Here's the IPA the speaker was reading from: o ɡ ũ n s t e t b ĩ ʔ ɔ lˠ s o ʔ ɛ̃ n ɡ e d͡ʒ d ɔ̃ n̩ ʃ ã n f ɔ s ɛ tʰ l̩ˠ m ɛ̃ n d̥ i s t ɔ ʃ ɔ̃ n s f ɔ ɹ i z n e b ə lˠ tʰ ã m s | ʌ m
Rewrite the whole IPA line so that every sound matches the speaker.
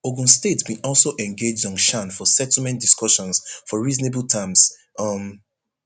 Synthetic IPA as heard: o ɡ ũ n s t e t b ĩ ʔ ɔ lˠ s o ʔ ɛ̃ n ɡ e d͡ʒ d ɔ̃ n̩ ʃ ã n f ɔ s ɛ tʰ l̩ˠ m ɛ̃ n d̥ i s k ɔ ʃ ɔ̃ n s f ɔ ɹ i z n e b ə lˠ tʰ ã m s | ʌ m